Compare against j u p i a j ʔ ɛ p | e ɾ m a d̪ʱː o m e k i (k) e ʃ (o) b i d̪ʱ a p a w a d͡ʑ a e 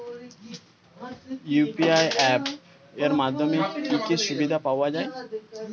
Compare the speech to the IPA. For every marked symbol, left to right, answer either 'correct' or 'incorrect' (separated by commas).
correct, incorrect